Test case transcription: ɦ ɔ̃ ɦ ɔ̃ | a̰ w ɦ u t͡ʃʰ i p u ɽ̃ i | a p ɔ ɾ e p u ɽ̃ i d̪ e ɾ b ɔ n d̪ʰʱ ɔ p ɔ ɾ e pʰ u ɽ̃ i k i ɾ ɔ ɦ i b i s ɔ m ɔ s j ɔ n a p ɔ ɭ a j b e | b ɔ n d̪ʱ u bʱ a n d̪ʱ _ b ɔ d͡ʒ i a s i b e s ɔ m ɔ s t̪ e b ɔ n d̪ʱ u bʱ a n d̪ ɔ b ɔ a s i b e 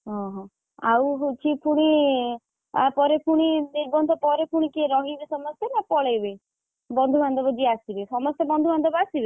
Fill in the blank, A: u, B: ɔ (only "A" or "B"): B